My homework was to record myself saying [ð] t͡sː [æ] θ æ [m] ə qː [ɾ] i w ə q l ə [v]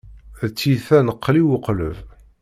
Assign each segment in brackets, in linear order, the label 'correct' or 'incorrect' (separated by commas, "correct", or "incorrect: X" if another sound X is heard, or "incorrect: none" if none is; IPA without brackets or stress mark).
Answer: correct, incorrect: i, incorrect: n, incorrect: l, correct